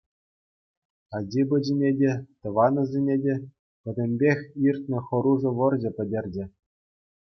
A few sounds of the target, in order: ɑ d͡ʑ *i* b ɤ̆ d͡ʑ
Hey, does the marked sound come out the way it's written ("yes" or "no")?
yes